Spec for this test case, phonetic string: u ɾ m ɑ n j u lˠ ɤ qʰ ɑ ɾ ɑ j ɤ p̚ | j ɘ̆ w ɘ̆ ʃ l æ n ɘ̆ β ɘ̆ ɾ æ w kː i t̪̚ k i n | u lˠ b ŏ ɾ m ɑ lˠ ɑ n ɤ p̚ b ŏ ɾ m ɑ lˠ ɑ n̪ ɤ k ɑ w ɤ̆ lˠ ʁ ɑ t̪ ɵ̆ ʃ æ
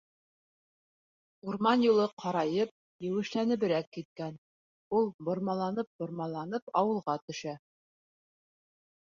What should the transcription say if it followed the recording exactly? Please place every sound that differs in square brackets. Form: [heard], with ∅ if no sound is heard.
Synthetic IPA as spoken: u ɾ m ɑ n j u lˠ ɤ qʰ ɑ ɾ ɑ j ɤ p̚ | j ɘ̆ w ɘ̆ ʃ l æ n ɘ̆ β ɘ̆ ɾ æ [∅] kː i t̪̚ k [æ] n | u lˠ b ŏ ɾ m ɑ lˠ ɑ n ɤ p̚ b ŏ ɾ m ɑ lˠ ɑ n̪ ɤ [p] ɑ w ɤ̆ lˠ ʁ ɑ t̪ ɵ̆ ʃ æ

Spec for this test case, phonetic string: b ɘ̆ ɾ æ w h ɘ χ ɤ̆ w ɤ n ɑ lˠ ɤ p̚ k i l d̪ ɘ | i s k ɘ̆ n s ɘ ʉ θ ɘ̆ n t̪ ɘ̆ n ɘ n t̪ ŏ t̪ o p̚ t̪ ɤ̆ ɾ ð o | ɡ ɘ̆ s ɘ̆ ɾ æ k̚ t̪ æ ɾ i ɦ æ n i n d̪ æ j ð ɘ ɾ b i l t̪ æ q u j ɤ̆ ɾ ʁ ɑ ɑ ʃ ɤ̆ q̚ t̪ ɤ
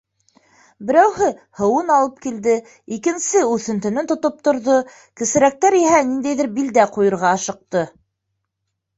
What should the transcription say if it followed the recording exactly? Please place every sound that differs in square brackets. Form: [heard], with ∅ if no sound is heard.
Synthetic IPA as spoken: b ɘ̆ ɾ æ w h ɘ [h] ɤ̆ w ɤ n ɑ lˠ ɤ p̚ k i l d̪ ɘ | i [∅] k ɘ̆ n s ɘ ʉ θ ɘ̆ n t̪ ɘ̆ n ɘ n t̪ ŏ t̪ o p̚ t̪ [ŏ] ɾ ð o | [k] ɘ̆ s ɘ̆ ɾ æ k̚ t̪ æ ɾ i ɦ æ n i n d̪ æ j ð ɘ ɾ b i l [d̪] æ q u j ɤ̆ ɾ ʁ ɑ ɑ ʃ ɤ̆ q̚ t̪ ɤ

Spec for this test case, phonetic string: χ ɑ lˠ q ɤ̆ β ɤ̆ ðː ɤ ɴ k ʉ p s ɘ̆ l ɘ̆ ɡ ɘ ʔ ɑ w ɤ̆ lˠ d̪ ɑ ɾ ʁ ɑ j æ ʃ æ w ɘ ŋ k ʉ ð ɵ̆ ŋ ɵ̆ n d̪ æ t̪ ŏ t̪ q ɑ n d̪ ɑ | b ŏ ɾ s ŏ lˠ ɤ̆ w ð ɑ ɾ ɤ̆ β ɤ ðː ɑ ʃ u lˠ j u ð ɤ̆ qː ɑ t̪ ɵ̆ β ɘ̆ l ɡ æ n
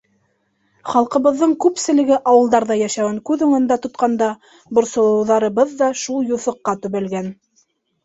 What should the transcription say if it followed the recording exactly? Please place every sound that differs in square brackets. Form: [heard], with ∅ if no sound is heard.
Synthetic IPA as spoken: χ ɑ lˠ q ɤ̆ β ɤ̆ ðː ɤ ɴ k ʉ p s ɘ̆ l ɘ̆ ɡ ɘ ʔ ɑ w ɤ̆ lˠ d̪ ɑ ɾ [ð] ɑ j æ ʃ æ w ɘ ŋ k ʉ ð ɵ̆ ŋ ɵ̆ n d̪ æ t̪ ŏ t̪ q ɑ n d̪ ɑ | b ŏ ɾ s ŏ lˠ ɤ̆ w ð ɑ ɾ ɤ̆ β ɤ ðː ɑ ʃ u lˠ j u [θ] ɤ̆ qː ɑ t̪ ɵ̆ β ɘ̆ l ɡ æ n

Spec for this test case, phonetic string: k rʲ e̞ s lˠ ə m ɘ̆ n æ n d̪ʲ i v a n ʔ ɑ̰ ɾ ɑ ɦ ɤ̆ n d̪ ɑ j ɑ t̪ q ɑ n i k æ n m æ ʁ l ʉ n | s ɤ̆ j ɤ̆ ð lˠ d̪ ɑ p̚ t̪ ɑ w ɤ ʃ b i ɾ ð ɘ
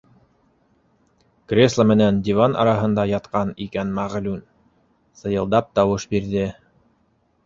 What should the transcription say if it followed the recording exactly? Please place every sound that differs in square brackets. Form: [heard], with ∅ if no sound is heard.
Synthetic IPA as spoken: k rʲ e̞ s lˠ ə m ɘ̆ n æ n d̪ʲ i v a n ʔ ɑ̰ ɾ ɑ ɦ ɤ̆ n d̪ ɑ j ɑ t̪ q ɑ n i k æ n m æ ʁ l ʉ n | s ɤ̆ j ɤ̆ [∅] lˠ d̪ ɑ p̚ t̪ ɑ w ɤ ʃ b i ɾ ð ɘ

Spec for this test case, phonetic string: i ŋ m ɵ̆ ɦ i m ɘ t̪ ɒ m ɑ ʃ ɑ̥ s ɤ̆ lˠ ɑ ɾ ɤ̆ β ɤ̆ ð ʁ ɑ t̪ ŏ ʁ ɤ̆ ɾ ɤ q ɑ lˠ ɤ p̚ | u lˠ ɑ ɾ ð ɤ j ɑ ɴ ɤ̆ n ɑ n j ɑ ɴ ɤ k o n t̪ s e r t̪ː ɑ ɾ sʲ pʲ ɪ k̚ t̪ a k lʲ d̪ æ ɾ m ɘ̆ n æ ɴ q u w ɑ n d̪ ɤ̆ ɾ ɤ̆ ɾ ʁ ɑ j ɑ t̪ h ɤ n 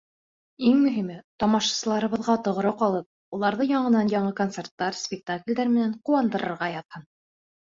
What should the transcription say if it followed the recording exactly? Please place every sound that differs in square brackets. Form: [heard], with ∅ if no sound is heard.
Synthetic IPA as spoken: i ŋ m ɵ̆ ɦ i m ɘ t̪ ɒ m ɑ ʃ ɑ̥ s ɤ̆ lˠ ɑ ɾ ɤ̆ β ɤ̆ ð ʁ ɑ t̪ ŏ ʁ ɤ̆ ɾ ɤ q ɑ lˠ ɤ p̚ | u lˠ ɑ ɾ ð ɤ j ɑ ɴ ɤ̆ n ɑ n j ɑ ɴ ɤ k o n t̪ s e r t̪ː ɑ ɾ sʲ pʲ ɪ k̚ t̪ a k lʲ d̪ æ ɾ m ɘ̆ n æ ɴ q u w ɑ n d̪ ɤ̆ ɾ ɤ̆ ɾ ʁ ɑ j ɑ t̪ h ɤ n

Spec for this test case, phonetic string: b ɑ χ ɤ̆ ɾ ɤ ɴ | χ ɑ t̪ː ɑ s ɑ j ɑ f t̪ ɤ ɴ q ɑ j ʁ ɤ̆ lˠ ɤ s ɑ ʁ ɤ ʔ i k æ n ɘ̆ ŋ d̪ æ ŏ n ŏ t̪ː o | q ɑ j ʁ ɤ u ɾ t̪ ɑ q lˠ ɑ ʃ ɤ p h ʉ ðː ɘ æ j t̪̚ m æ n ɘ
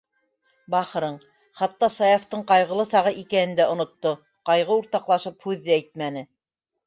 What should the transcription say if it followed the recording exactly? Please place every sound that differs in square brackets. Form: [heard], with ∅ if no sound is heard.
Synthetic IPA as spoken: b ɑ χ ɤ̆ ɾ ɤ ɴ | χ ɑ t̪ː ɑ s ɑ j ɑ f t̪ ɤ ɴ q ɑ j ʁ ɤ̆ lˠ ɤ s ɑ ʁ ɤ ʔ i k æ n ɘ̆ [n] d̪ æ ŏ n ŏ t̪ː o | q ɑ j ʁ ɤ u ɾ t̪ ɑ q lˠ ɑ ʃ ɤ p h ʉ ðː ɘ æ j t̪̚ m æ n ɘ

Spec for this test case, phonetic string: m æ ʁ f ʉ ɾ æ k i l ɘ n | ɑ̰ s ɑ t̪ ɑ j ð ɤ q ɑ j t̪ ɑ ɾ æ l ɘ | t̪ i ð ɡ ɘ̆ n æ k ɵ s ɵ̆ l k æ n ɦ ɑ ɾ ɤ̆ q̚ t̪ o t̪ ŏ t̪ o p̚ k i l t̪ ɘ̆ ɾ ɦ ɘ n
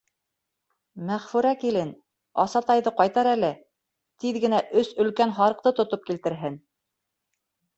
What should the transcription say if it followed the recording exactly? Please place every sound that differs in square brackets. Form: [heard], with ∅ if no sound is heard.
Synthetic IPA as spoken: m æ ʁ f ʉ ɾ æ k i l ɘ n | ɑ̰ s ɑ t̪ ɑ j ð ɤ q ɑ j t̪ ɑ ɾ æ l ɘ | t̪ i ð ɡ ɘ̆ n æ [ʔ] ɵ s ɵ̆ l k æ n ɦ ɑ ɾ ɤ̆ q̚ t̪ [ɤ] t̪ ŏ t̪ o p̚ k i l t̪ ɘ̆ ɾ ɦ ɘ n

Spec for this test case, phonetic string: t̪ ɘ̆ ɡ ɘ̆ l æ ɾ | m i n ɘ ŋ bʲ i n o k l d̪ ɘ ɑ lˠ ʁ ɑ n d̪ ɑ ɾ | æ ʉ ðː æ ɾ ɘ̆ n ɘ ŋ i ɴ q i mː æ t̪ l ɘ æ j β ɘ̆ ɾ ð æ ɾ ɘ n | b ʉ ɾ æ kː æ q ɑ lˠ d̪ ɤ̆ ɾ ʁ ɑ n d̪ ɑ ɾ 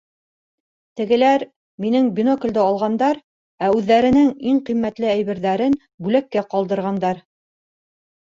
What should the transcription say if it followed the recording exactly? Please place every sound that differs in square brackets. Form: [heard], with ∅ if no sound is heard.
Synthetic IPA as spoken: t̪ ɘ̆ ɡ ɘ̆ l æ ɾ | m i n ɘ ŋ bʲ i n o k l d̪ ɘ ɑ lˠ ʁ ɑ n d̪ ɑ ɾ | æ ʉ ðː æ ɾ ɘ̆ n ɘ ŋ i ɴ q i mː æ t̪ l ɘ æ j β ɘ̆ ɾ ð æ ɾ ɘ n | b ʉ [l] æ kː æ q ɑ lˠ d̪ ɤ̆ ɾ ʁ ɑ n d̪ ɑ ɾ

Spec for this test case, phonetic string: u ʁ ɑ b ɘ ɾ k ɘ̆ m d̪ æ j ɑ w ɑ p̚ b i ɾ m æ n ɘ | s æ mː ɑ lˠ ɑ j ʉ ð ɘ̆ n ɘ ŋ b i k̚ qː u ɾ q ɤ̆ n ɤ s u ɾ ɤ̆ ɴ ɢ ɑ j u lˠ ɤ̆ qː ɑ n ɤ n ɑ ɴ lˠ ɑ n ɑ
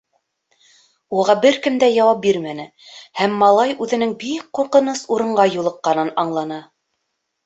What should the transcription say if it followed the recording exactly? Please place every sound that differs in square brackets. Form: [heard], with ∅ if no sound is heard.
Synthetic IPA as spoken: u ʁ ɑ b ɘ ɾ k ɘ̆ m d̪ æ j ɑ w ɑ p̚ b i ɾ m æ n ɘ | [h] æ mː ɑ lˠ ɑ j ʉ ð ɘ̆ n ɘ ŋ b i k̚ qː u ɾ q ɤ̆ n ɤ s u ɾ ɤ̆ ɴ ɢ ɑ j u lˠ ɤ̆ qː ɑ n ɤ n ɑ ɴ lˠ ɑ n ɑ

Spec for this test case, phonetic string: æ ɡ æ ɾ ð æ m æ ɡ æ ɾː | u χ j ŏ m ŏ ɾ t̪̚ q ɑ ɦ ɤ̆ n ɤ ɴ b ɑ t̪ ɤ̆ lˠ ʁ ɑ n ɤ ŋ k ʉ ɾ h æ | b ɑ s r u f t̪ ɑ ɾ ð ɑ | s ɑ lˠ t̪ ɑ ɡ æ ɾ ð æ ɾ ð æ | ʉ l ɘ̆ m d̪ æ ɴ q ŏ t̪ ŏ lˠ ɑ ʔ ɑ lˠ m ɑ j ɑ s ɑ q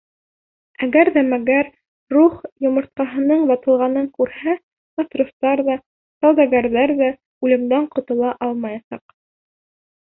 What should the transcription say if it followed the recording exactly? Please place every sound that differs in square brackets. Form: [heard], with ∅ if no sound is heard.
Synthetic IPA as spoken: æ ɡ æ ɾ ð æ m æ ɡ æ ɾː | u χ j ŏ m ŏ ɾ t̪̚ q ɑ ɦ ɤ̆ n ɤ ɴ b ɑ t̪ ɤ̆ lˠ ʁ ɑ n ɤ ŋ k ʉ ɾ h æ | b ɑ s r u f t̪ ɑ ɾ ð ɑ | s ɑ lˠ [d̪] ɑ ɡ æ ɾ ð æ ɾ ð æ | ʉ l ɘ̆ m d̪ æ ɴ q ŏ t̪ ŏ lˠ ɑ ʔ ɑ lˠ m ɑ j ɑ s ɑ q

